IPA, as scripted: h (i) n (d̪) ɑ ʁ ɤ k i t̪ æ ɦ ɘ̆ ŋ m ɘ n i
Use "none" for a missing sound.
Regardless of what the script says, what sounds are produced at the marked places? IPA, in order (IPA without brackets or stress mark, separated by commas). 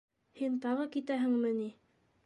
i, t̪